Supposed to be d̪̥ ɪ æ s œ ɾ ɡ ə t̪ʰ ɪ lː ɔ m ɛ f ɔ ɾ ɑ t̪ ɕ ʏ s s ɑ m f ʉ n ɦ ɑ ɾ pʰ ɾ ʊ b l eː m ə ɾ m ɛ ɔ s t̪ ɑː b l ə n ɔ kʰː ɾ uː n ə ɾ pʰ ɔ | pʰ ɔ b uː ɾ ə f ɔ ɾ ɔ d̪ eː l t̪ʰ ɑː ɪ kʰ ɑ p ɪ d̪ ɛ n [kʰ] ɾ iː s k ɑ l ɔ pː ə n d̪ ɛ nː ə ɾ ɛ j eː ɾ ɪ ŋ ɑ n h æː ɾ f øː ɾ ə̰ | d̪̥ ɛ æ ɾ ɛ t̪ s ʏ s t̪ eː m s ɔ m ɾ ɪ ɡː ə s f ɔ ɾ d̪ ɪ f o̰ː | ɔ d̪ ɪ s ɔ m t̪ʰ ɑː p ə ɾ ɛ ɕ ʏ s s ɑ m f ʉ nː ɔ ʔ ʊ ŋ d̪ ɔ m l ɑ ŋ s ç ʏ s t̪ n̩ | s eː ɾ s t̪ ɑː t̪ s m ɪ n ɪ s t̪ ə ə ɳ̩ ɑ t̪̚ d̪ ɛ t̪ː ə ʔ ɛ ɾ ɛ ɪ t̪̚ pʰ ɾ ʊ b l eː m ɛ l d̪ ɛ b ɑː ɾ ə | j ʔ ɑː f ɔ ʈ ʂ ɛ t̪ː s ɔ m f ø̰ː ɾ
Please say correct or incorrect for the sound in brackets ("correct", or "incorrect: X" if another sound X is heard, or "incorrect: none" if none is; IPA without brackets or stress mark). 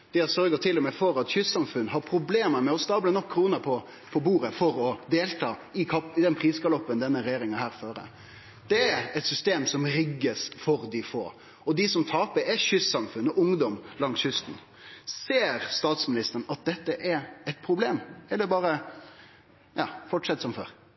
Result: incorrect: pʰ